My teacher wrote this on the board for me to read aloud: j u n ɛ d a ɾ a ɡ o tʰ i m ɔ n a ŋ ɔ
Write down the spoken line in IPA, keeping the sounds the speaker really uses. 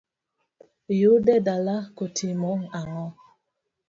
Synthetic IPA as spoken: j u d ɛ d a l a k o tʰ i m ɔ ŋ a ŋ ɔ